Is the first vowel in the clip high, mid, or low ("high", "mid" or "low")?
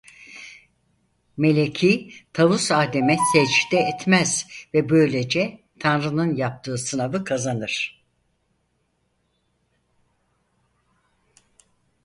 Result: mid